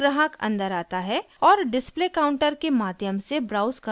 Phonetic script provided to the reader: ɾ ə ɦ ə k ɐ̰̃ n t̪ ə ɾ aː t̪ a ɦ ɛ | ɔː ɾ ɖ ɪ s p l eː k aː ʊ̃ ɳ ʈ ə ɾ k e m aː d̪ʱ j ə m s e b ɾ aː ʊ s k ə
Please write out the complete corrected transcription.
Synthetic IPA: ɾ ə ɦ ə k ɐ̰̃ n d̪ ə ɾ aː t̪ a ɦ ɛ | ɔː ɾ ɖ ɪ s p l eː k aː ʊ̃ ɳ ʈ ə ɾ k e m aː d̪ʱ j ə m s e b ɾ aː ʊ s k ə